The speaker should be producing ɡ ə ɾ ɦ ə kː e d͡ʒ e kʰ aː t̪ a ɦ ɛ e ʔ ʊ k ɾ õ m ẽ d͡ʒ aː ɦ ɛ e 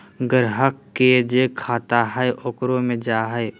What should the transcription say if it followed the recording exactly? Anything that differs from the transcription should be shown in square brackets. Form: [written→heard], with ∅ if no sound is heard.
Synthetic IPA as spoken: ɡ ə ɾ ɦ ə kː e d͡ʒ e kʰ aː t̪ a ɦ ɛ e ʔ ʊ k ɾ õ m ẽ d͡ʒ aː ɦ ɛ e